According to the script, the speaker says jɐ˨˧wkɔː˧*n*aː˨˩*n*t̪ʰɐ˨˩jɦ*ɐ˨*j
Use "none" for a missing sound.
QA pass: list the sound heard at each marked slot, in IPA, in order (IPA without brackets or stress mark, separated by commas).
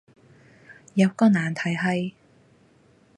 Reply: n, n, ɐ˨